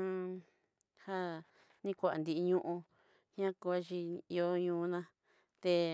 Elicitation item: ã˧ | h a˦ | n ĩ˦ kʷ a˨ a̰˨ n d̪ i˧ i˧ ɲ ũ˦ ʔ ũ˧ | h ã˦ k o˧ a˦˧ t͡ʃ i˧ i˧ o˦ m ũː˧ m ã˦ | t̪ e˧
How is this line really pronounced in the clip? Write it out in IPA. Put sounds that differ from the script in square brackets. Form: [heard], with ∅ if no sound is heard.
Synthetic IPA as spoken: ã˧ | h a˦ | n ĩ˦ kʷ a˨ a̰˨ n d̪ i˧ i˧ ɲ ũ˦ ʔ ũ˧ | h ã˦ k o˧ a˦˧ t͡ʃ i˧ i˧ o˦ [ɲ] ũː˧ [n] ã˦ | t̪ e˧